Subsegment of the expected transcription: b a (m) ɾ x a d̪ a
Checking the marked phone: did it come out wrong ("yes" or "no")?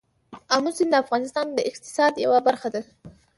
yes